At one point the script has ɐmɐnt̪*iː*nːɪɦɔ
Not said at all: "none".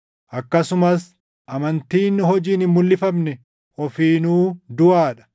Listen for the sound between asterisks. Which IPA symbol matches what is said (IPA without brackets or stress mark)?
iː